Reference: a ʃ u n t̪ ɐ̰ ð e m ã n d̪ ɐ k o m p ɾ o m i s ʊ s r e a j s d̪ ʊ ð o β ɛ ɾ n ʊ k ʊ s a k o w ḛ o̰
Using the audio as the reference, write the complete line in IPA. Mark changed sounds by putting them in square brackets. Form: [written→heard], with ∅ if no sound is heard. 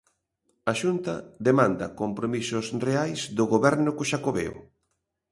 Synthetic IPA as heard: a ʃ u n t̪ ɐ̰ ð e m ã n d̪ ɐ k o m p ɾ o m i s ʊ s r e a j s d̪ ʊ [ð→ɣ] o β ɛ ɾ n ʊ k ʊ [s→ʃ] a k o [w→β] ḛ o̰